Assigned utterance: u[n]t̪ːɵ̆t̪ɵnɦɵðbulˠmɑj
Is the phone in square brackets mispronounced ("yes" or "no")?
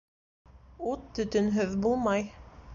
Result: yes